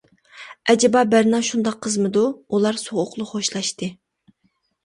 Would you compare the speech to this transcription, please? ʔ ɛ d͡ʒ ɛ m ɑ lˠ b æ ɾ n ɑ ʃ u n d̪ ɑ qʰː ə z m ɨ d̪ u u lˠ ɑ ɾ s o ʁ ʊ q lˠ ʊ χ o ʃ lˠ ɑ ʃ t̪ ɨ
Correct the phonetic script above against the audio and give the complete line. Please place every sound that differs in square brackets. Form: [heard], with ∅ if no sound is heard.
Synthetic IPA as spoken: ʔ ɛ d͡ʒ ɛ [b] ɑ [∅] b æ ɾ n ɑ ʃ u n d̪ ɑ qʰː ə z m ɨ d̪ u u lˠ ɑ ɾ s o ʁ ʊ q lˠ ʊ χ o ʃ lˠ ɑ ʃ t̪ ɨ